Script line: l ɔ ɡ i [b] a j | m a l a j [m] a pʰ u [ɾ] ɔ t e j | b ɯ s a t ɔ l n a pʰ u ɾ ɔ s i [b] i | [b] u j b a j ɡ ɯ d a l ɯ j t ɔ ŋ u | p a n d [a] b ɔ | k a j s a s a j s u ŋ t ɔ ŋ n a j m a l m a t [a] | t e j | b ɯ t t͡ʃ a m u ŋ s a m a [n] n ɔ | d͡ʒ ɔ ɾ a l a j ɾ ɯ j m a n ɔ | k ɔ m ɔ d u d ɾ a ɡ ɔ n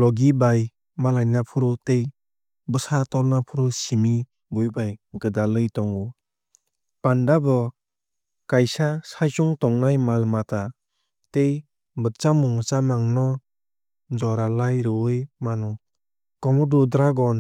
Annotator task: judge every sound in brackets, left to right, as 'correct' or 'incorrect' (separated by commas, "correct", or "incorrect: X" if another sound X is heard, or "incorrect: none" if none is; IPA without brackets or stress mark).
correct, incorrect: n, correct, incorrect: m, correct, correct, correct, incorrect: ŋ